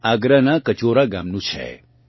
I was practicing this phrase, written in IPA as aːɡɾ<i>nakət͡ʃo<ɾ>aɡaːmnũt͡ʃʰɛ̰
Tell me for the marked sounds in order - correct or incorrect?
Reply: incorrect, correct

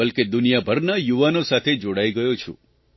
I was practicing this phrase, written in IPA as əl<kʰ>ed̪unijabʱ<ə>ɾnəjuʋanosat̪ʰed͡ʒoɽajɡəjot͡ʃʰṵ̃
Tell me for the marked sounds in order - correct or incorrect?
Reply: incorrect, correct

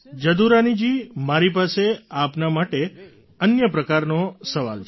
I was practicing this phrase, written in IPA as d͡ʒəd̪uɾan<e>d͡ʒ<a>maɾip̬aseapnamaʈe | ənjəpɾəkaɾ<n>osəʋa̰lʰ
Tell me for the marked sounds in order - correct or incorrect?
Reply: incorrect, incorrect, correct

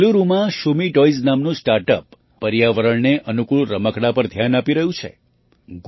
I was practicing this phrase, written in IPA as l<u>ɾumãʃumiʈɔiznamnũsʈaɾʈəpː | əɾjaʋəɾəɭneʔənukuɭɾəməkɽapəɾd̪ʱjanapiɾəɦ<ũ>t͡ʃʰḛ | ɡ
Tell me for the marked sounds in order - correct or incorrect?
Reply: correct, correct

